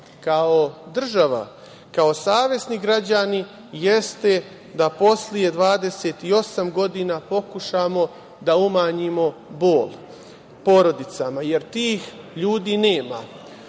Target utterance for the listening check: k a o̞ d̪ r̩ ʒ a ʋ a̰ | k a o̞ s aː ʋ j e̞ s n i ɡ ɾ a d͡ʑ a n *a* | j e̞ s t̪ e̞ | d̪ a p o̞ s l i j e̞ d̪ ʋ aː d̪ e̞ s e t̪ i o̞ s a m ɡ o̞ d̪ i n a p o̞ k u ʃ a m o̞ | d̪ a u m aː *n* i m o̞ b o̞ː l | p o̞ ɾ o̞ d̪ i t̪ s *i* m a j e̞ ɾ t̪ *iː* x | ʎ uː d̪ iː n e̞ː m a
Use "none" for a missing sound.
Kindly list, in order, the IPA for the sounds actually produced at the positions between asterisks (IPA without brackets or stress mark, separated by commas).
i, ɲ, a, iː